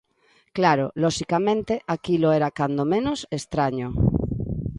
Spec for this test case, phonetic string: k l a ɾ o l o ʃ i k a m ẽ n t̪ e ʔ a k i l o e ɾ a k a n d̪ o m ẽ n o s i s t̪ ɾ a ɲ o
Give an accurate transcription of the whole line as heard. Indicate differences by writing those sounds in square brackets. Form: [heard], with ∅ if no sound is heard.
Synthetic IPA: k l a ɾ o l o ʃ i k a m ẽ n t̪ e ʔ a k i l o e ɾ a k a n d̪ o m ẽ n o s [e] s t̪ ɾ a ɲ o

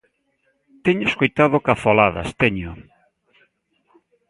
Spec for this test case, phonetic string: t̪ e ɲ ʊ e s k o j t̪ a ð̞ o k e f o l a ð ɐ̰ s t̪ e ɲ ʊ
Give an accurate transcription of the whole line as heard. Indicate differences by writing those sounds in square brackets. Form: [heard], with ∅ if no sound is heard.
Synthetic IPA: t̪ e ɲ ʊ e s k o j t̪ a ð̞ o k [a] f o l a ð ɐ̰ s t̪ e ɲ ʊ

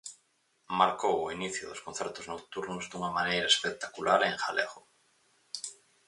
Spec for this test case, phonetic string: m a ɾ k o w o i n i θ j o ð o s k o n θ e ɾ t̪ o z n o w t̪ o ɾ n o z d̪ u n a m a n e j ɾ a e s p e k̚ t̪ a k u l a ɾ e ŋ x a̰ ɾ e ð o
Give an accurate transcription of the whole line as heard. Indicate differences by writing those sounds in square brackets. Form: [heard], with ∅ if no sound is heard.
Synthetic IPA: m a ɾ k o w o i n i θ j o ð o s k o n θ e ɾ t̪ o z n o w t̪ [u] ɾ n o z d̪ u [ŋ] a m a n e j ɾ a e s p e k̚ t̪ a k u l a ɾ e ŋ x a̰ [l] e [ɣ] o

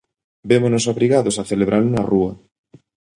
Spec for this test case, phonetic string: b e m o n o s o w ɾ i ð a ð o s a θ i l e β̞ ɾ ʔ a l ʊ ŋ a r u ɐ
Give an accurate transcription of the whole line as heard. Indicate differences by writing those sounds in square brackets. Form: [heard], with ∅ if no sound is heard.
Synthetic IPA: b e m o n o s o [β] ɾ i [ɣ] a ð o s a θ [e] l e β̞ ɾ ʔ a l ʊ [n] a r u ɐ

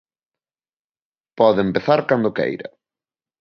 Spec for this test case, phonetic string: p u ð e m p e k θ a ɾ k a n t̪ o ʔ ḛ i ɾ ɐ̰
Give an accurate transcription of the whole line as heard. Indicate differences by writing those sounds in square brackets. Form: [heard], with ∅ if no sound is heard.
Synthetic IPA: p [ɔ] ð e m p e [∅] θ a ɾ k a n [d̪] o [k] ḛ [j] ɾ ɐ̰

